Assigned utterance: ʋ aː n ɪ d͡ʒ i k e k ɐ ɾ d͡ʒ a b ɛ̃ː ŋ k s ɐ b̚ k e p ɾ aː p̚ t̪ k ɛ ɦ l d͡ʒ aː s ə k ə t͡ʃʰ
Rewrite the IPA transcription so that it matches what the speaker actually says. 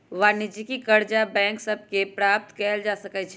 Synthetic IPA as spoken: ʋ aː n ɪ d͡ʒ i k i k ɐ ɾ d͡ʒ a b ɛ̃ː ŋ k s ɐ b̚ k e p ɾ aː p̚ t̪ k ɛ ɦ l d͡ʒ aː s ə k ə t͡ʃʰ